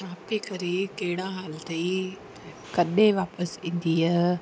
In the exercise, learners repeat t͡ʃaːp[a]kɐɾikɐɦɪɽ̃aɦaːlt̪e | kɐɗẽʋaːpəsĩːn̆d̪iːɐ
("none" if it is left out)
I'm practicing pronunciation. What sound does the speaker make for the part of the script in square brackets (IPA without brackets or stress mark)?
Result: i